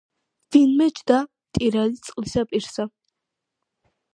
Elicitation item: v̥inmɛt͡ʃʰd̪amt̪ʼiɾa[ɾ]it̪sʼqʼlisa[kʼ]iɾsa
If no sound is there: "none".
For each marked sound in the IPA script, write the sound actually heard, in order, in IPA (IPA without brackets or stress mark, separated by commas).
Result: l, pʼ